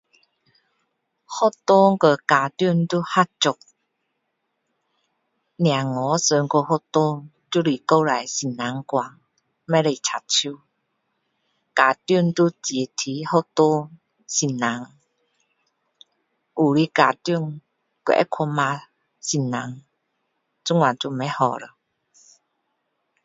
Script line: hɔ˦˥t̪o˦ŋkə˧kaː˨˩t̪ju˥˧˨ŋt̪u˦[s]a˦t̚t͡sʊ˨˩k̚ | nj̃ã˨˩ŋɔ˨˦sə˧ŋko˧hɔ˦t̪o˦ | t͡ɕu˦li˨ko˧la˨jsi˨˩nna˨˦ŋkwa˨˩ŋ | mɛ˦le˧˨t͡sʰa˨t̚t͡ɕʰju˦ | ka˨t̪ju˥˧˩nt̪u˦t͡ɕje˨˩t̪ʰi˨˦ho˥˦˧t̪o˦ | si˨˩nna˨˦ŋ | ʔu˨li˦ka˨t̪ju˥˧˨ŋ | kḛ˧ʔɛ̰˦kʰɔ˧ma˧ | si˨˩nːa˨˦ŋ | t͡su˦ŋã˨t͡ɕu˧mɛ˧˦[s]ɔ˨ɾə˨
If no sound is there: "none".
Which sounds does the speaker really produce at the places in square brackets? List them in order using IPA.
h, h

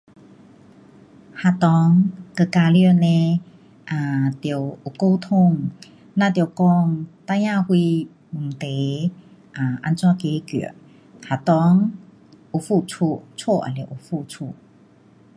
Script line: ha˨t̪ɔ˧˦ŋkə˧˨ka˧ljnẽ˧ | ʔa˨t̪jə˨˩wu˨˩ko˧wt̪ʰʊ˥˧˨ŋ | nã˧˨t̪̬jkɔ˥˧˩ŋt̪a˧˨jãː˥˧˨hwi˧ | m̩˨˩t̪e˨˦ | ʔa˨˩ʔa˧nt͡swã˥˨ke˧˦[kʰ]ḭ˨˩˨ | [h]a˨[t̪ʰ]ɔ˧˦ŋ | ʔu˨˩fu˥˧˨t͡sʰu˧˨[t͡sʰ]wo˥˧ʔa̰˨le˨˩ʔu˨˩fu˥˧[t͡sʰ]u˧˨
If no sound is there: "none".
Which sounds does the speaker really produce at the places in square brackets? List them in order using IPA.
k, h, t̪, t͡sʰ, t͡sʰ

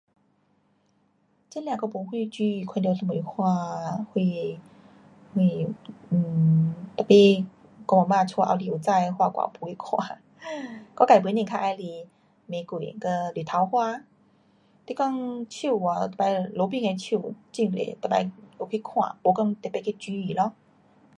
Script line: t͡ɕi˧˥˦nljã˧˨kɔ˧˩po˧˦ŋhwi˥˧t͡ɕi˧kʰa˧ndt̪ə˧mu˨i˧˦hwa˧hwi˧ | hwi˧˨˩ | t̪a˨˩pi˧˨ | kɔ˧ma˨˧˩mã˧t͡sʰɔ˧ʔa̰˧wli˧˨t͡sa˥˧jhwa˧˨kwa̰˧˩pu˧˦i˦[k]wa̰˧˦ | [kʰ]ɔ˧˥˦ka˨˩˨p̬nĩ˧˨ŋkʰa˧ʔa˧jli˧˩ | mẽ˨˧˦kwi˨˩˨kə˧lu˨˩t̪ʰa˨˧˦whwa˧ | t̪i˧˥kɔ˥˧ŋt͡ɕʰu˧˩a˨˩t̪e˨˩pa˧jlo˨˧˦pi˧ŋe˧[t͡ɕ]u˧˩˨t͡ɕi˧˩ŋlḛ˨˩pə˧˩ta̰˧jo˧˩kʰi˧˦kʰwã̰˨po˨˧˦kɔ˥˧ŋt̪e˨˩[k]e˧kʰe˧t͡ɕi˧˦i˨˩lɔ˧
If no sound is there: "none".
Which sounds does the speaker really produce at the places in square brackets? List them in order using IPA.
kʰ, k, t͡ɕʰ, p

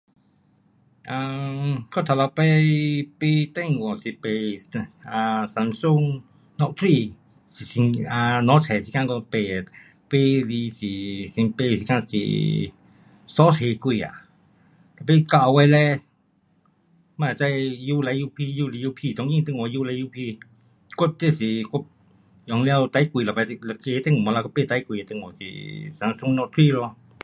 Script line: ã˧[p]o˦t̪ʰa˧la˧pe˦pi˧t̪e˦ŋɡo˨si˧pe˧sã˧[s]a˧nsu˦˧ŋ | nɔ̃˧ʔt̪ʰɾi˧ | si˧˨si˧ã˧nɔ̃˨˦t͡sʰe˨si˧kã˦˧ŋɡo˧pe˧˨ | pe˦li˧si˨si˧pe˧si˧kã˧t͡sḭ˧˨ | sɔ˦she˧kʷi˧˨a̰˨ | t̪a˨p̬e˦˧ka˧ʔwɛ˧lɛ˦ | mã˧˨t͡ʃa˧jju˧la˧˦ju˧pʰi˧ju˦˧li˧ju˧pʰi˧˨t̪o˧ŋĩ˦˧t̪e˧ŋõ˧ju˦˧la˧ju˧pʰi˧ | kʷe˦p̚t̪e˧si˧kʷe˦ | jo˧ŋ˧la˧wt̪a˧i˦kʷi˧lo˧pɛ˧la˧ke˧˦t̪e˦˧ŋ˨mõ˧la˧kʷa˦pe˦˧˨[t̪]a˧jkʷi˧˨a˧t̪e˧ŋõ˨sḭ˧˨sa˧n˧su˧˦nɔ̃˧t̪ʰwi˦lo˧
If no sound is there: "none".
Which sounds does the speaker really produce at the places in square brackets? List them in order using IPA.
k, s, t̪

